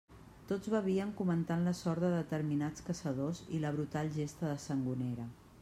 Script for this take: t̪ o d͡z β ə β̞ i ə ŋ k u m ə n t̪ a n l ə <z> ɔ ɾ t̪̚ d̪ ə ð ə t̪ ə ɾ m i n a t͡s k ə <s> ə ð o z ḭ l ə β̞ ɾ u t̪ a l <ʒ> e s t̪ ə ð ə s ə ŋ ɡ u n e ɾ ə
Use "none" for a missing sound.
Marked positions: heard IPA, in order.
s, s, ʒ

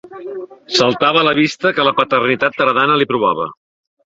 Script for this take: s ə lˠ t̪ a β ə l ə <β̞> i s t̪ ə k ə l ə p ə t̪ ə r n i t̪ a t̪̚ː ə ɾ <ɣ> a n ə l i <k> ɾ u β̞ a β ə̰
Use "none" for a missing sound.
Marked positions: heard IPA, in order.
β̞, ð, p

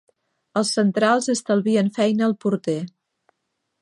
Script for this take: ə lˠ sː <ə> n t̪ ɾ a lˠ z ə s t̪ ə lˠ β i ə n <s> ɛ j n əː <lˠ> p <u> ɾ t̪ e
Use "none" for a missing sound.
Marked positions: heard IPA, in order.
ə, f, lˠ, u

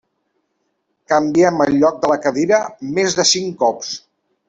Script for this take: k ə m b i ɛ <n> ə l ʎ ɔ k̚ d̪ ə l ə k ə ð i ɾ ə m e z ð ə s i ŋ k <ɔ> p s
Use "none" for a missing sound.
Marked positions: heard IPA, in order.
m, ɔ

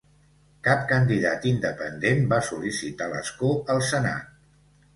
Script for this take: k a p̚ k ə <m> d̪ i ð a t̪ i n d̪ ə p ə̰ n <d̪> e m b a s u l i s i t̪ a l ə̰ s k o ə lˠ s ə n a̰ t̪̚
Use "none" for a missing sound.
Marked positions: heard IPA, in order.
n, d̪

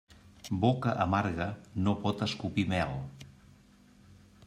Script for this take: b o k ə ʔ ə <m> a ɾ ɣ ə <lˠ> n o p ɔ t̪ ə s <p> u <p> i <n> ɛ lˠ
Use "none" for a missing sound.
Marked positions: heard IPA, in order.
m, none, k, p, m

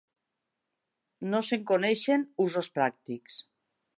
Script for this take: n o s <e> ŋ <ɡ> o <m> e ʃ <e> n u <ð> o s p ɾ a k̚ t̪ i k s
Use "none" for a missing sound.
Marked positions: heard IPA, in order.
e, k, n, e, z

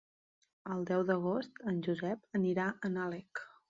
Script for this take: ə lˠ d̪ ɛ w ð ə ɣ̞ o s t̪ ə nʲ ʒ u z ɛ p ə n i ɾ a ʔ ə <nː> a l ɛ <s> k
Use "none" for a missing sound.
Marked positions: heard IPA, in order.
n, none

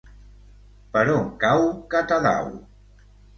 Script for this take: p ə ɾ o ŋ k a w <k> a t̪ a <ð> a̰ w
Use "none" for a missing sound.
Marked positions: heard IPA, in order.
k, ð

